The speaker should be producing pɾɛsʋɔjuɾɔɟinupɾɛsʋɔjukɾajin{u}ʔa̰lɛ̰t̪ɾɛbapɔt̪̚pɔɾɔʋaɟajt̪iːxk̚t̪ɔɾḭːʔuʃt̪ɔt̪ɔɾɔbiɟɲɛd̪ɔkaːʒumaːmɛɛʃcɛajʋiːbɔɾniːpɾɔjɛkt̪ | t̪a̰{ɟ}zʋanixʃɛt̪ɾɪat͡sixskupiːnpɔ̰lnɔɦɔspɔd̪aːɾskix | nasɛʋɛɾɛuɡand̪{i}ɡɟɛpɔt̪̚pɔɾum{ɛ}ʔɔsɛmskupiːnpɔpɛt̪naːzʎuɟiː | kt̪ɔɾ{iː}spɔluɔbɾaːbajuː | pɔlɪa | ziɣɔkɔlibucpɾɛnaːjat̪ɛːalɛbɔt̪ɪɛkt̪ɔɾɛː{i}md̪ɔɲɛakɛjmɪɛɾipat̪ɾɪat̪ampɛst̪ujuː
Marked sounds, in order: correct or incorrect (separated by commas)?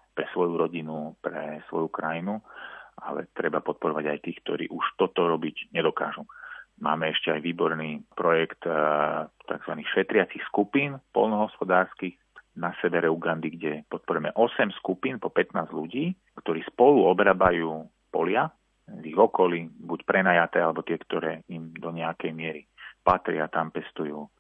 correct, incorrect, correct, correct, correct, correct